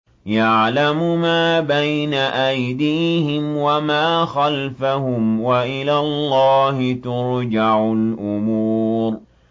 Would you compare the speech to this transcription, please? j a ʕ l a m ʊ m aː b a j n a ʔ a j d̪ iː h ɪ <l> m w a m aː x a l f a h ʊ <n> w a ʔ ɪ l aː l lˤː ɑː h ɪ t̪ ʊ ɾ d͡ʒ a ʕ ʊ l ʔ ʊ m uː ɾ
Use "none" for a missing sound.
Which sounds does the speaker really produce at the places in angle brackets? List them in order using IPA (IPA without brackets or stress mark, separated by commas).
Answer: none, m